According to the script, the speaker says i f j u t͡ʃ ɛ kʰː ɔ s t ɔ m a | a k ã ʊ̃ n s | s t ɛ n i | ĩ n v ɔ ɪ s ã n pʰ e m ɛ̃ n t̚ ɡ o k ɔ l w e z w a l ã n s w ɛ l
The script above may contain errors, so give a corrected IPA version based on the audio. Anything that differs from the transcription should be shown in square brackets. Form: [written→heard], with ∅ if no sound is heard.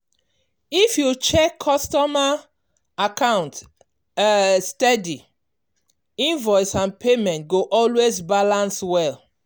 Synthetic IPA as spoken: i f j u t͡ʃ ɛ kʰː ɔ s t ɔ m a | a k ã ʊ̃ n [s→t] | s t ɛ [n→d] i | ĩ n v ɔ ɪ s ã n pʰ e m ɛ̃ n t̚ ɡ o [k→ʔ] ɔ l w e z [w→b] a l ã n s w ɛ l